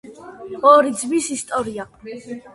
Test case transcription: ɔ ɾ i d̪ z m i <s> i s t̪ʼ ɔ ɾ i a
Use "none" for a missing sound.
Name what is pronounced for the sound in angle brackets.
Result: s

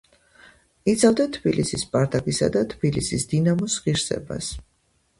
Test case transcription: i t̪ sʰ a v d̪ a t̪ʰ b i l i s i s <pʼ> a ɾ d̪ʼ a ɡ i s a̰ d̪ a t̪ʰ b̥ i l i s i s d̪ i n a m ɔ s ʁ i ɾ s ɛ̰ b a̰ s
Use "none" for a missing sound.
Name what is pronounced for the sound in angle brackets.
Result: pʼ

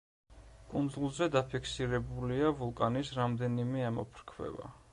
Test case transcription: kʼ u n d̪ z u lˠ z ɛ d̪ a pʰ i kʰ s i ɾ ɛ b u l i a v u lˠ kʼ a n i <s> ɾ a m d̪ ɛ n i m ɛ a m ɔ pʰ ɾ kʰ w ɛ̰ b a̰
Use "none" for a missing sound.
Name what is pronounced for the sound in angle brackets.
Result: s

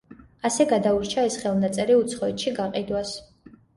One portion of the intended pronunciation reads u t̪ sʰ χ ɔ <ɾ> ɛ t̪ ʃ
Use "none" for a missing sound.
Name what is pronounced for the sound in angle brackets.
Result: none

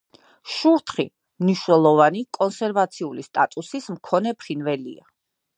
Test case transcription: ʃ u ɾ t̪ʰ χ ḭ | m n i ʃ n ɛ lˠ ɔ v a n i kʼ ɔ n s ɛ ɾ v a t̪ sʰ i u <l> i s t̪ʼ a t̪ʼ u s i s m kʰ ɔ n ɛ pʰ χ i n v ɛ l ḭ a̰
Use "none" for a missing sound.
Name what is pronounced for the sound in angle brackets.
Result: l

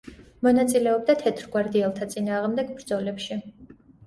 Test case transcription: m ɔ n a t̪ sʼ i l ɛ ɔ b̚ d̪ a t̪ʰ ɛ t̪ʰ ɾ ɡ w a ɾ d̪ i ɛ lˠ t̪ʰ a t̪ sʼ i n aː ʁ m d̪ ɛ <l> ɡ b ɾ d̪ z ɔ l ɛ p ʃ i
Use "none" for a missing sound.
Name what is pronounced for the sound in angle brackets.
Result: none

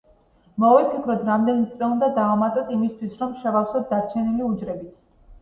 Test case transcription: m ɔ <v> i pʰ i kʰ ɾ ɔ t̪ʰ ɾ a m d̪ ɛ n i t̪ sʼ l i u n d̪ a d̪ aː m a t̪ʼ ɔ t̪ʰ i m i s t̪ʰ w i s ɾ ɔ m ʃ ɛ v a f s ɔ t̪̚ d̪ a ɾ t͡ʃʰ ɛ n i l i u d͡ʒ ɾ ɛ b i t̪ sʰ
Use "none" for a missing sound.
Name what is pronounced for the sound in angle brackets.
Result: v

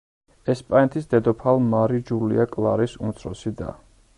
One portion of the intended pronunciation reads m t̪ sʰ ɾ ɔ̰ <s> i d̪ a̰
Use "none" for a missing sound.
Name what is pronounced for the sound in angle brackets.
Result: s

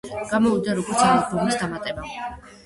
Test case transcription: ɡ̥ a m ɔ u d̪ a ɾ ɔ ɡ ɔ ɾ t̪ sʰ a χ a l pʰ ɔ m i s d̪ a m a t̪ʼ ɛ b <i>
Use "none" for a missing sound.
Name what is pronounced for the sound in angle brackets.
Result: a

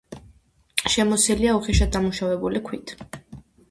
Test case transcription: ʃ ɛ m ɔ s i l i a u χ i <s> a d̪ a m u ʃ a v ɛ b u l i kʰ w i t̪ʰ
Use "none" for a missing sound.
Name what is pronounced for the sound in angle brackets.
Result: ʃ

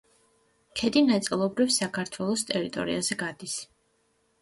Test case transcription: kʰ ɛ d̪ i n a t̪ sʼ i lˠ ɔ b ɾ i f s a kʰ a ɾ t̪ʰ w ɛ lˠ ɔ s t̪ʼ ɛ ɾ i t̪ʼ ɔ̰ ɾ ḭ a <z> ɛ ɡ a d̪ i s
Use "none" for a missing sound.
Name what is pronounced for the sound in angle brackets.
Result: z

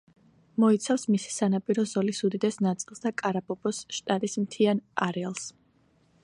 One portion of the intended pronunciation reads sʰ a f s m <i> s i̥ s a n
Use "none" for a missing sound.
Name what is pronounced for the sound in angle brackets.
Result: i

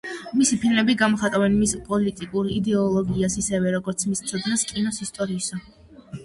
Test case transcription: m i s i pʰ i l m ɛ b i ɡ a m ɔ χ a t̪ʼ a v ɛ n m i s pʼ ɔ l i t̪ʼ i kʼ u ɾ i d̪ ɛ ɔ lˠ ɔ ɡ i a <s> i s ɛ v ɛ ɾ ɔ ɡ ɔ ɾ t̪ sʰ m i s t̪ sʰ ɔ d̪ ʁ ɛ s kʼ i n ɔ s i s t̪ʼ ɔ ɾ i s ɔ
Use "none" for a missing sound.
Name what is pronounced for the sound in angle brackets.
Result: s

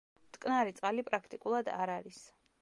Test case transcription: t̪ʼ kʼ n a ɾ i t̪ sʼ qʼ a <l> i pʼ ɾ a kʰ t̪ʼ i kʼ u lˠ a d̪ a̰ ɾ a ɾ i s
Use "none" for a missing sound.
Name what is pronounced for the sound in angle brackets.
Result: l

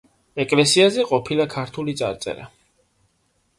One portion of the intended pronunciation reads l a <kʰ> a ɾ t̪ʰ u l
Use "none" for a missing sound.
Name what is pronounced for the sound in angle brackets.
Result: kʰ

